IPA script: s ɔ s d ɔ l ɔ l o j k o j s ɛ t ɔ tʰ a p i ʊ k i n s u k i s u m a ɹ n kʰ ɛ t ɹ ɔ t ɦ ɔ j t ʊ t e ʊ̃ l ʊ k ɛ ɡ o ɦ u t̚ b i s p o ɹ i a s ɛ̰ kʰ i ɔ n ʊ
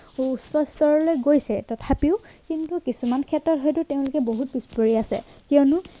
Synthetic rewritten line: s ɔ s t ɔ ɹ ɔ l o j ɡ o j s ɛ t ɔ tʰ a p i ʊ k i n t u k i s u m a n kʰ ɛ t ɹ ɔ t ɦ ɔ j t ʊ t e ʊ̃ l ʊ k ɛ b o ɦ u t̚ b i s p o ɹ i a s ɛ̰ k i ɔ n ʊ